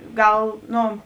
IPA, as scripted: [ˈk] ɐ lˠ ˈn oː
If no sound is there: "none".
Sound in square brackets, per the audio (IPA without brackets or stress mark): ɡ